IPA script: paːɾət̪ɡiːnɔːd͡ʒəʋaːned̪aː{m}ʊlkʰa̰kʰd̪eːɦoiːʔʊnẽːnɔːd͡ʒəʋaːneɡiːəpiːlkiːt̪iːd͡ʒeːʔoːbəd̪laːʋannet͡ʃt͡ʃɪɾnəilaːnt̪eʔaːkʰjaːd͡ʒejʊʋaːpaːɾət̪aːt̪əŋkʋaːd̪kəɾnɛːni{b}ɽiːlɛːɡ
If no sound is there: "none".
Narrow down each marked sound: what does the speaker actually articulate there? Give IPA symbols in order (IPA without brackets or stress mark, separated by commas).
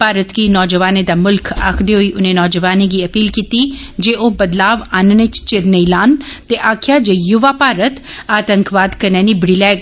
m, b